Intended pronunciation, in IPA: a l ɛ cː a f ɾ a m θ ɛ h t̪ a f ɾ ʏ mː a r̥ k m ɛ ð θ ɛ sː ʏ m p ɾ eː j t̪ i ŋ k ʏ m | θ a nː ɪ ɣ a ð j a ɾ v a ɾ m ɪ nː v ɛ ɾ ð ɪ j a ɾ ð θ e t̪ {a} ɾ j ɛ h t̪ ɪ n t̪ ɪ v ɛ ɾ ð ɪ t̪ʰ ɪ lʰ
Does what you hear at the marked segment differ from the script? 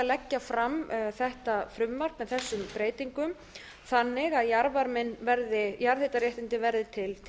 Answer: no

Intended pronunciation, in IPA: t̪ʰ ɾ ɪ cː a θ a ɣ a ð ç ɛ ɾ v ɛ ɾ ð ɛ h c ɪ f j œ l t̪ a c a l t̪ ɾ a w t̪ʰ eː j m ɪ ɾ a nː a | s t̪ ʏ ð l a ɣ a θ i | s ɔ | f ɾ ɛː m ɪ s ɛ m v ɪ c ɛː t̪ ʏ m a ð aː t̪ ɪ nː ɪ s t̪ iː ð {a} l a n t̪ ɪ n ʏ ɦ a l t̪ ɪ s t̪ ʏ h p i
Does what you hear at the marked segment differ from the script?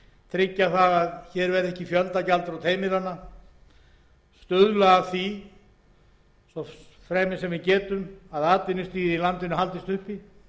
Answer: yes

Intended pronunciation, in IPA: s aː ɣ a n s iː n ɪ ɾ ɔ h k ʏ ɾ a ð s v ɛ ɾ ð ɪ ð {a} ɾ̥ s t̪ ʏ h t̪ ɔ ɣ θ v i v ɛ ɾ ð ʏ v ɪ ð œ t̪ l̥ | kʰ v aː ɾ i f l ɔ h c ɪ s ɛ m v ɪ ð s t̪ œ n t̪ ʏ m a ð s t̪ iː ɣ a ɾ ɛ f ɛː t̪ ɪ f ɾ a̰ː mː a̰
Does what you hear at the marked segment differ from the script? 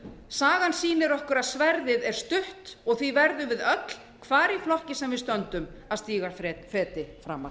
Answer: yes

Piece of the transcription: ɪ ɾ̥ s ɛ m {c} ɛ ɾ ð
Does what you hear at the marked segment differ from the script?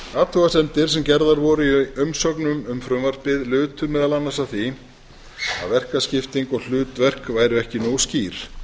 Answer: no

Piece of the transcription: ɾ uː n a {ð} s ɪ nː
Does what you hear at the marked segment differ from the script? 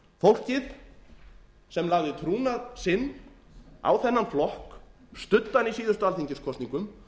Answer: no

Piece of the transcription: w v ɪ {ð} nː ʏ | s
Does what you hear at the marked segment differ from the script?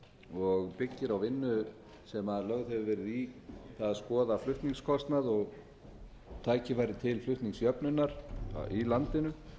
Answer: yes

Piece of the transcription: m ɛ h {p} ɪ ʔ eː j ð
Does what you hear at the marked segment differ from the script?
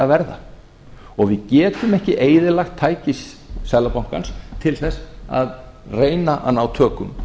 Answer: yes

